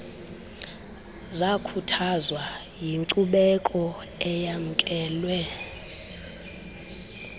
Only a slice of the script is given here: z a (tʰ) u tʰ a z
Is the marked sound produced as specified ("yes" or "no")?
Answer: no